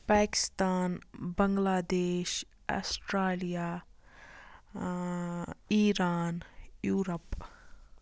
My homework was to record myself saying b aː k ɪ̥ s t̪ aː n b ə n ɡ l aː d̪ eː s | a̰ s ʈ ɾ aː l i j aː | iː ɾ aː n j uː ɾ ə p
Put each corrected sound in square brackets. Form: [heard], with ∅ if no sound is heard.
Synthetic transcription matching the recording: [p] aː k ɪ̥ s t̪ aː n b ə [ŋ] ɡ l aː d̪ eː [ʃ] | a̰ s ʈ ɾ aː l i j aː | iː ɾ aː n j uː ɾ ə p

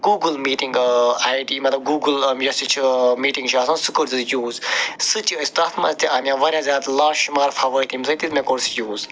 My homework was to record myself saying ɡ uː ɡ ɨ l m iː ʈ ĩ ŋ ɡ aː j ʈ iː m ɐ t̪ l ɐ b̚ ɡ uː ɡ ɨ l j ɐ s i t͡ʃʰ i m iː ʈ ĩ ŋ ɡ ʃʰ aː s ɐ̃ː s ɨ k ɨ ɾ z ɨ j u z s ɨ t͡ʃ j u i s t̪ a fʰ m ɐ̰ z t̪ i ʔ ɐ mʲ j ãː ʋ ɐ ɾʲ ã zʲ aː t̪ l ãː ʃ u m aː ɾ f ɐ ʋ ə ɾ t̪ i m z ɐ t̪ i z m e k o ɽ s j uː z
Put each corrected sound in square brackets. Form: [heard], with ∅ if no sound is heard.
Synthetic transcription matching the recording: ɡ uː ɡ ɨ l m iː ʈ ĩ ŋ ɡ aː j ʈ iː m ɐ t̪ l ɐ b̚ ɡ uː ɡ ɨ l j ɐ s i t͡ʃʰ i m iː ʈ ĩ ŋ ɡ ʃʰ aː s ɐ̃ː s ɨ k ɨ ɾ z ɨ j [uː] z s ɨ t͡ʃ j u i s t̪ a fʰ m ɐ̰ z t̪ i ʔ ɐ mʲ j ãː ʋ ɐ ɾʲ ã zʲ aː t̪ l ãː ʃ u m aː ɾ f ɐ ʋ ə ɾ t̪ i m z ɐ t̪ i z m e k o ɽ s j uː z

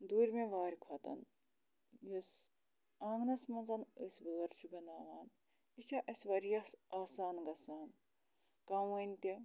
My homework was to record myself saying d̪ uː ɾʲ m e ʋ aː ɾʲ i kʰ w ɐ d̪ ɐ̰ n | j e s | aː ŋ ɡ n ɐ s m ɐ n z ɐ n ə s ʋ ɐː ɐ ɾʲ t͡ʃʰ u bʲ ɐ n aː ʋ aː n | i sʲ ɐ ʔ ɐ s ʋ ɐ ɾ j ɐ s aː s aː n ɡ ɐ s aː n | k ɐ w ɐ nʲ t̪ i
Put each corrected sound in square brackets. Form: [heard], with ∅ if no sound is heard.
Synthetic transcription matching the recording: d̪ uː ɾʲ m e ʋ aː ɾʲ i kʰ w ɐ [t̪] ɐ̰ n | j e s | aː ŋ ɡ n ɐ s m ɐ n z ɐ n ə s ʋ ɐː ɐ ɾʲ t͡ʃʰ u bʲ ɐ n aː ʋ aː n | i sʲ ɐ ʔ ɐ s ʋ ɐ ɾ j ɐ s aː s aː n ɡ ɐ s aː n | k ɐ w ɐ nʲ t̪ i

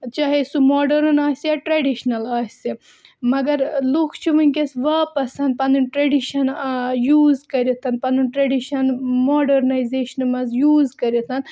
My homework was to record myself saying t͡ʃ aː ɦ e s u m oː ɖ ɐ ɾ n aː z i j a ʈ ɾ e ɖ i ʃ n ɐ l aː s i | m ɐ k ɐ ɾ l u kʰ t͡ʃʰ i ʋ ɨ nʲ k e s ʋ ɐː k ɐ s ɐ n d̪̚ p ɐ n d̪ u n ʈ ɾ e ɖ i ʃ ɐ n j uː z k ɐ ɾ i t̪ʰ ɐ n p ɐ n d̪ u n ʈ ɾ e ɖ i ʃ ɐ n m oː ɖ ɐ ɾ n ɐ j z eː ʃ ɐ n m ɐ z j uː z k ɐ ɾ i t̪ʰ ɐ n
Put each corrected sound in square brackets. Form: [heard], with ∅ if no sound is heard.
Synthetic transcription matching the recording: t͡ʃ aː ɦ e s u m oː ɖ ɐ ɾ n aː [s] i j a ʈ ɾ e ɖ i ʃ n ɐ l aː s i | m ɐ [ɡ] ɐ ɾ l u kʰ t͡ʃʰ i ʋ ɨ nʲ k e s ʋ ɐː [p] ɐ s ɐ n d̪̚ p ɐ n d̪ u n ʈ ɾ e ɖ i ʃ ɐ n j uː z k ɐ ɾ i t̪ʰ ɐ n p ɐ n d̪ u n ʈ ɾ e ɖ i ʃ ɐ n m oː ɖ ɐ ɾ n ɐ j z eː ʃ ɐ n m ɐ z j uː z k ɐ ɾ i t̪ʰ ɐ n

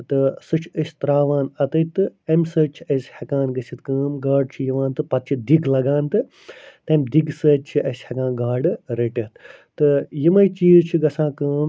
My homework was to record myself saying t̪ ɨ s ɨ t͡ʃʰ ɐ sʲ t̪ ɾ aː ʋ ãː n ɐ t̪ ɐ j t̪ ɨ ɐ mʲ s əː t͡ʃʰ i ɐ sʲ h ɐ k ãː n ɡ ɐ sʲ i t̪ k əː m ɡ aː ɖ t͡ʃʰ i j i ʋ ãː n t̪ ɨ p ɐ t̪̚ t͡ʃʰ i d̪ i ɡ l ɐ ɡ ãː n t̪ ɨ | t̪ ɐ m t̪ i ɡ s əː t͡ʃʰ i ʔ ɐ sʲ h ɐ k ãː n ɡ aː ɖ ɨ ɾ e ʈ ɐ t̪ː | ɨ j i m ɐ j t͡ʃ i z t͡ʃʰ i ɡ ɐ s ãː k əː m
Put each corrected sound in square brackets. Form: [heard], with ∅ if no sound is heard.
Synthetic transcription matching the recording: t̪ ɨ s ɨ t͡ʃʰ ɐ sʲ t̪ ɾ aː ʋ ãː n ɐ t̪ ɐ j t̪ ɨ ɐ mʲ s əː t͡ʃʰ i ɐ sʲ h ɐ k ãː n ɡ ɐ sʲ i t̪ k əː m ɡ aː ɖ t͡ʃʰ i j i ʋ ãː n t̪ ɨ p ɐ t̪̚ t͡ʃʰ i d̪ i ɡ l ɐ ɡ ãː n t̪ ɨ | t̪ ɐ m [d̪] i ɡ s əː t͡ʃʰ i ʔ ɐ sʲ h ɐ k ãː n ɡ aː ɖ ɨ ɾ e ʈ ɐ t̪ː | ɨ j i m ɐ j t͡ʃ [iː] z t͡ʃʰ i ɡ ɐ s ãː k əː m

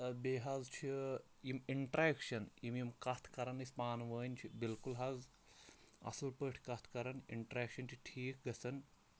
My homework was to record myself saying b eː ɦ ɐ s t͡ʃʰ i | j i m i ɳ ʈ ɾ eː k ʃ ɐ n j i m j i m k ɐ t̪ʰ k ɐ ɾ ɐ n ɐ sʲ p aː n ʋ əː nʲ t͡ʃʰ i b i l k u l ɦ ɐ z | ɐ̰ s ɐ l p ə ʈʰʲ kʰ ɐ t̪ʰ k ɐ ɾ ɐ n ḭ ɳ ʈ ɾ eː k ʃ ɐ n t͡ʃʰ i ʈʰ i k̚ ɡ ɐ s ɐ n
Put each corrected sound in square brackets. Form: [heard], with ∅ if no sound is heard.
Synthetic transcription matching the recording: b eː ɦ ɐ [z] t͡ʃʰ i | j i m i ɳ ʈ ɾ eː k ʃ ɐ n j i m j i m k ɐ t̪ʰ k ɐ ɾ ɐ n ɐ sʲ p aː n ʋ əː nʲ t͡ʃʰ i b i l k u l ɦ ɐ z | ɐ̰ s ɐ l p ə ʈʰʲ [k] ɐ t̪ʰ k ɐ ɾ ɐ n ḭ ɳ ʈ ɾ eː k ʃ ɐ n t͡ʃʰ i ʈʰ [iː] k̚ ɡ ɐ s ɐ n

